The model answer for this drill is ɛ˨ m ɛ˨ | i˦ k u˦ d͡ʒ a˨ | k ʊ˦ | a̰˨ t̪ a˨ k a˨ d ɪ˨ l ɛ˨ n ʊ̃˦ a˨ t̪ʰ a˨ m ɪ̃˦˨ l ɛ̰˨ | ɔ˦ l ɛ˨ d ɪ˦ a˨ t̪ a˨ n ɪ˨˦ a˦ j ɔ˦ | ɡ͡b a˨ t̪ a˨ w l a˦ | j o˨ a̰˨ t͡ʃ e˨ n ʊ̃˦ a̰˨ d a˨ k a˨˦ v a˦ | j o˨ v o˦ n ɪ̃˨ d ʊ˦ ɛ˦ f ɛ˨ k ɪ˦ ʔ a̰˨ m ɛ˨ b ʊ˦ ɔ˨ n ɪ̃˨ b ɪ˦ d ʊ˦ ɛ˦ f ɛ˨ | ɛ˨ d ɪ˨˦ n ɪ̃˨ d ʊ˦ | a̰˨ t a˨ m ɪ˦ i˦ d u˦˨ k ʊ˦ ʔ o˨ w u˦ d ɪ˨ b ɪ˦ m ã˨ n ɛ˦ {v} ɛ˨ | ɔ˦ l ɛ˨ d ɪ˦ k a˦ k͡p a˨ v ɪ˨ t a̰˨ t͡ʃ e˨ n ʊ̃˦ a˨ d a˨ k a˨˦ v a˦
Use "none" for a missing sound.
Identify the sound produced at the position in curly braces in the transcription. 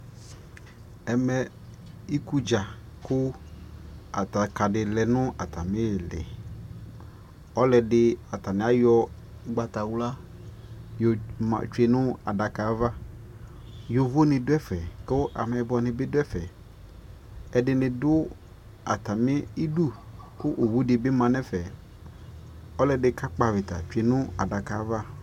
f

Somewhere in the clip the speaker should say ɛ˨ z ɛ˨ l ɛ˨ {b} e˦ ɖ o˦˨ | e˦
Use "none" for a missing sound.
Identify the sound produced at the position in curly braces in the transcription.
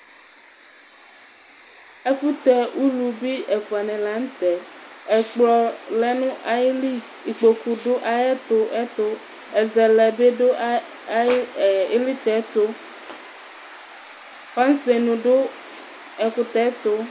b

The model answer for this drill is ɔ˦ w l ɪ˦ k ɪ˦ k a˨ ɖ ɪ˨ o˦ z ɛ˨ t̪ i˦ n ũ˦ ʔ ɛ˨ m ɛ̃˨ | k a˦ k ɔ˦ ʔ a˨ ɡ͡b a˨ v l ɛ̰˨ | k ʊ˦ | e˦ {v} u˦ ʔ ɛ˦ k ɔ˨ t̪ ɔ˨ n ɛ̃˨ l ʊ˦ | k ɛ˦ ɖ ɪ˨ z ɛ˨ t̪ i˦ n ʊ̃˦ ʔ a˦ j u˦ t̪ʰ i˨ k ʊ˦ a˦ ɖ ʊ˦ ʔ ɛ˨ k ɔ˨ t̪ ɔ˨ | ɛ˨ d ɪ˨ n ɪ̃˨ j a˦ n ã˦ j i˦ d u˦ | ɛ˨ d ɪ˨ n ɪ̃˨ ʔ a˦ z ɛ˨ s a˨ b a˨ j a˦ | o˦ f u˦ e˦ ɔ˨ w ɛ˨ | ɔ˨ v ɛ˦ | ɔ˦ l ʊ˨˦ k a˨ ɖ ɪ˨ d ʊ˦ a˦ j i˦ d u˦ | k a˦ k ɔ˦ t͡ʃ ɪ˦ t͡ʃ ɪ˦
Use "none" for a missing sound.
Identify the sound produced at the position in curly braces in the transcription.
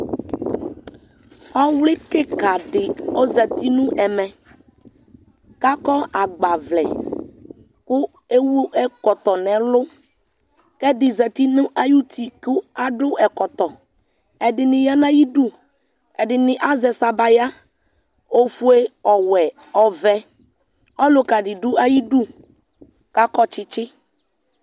w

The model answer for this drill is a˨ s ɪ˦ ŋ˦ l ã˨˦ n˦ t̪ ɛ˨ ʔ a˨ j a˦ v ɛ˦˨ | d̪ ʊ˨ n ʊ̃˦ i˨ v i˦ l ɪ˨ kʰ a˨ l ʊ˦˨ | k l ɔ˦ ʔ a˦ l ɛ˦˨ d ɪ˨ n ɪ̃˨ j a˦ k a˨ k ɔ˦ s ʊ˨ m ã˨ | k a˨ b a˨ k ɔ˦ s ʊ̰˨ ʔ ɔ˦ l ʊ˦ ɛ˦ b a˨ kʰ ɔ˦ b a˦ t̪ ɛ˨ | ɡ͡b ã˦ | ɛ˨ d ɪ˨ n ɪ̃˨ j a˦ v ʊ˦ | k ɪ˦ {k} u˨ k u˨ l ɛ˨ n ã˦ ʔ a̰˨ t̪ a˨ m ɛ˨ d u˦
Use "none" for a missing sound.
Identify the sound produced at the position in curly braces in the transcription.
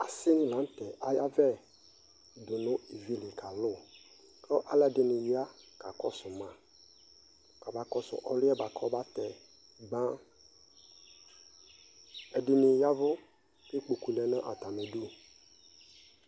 k͡p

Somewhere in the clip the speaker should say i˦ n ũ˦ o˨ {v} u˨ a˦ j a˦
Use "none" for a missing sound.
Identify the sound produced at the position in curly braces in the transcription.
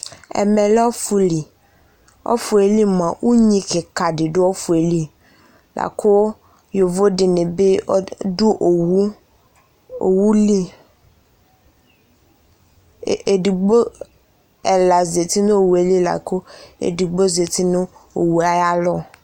w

